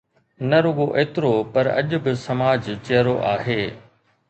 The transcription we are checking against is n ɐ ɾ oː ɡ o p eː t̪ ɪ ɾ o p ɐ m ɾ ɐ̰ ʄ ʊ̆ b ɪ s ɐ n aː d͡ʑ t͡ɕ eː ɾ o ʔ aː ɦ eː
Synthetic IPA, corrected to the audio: n ɐ ɾ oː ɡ o ʔ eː t̪ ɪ ɾ o p ɐ ɾ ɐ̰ ʄ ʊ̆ b ɪ s ɐ m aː d͡ʑ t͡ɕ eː ɾ o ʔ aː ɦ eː